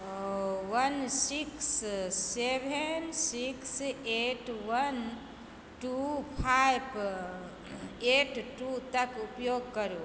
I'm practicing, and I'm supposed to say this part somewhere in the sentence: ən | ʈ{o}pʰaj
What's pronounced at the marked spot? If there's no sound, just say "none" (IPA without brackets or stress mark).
u